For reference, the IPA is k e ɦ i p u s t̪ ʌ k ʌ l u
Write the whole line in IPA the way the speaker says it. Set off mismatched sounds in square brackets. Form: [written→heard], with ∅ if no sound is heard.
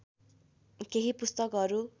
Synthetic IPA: k e ɦ i p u s t̪ ʌ k ʌ [l→ɾ] u